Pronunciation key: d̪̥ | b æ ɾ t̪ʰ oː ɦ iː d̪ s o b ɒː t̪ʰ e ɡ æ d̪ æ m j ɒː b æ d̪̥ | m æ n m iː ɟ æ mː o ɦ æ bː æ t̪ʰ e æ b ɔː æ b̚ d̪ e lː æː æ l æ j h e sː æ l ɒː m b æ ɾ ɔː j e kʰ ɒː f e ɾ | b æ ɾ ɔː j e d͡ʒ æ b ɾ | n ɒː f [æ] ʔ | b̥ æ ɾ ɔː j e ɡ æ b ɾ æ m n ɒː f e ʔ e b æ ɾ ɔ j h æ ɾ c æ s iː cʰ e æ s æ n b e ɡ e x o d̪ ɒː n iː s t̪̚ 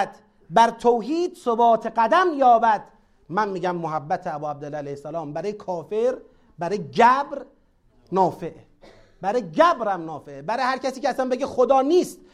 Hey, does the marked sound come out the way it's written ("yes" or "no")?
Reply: no